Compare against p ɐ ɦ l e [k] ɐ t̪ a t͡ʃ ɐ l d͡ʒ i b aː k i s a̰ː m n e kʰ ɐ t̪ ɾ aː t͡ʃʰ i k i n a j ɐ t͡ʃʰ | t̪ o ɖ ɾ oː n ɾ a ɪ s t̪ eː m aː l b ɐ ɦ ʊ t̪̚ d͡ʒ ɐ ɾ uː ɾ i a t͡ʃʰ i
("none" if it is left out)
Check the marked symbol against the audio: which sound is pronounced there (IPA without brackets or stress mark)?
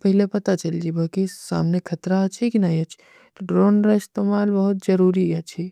p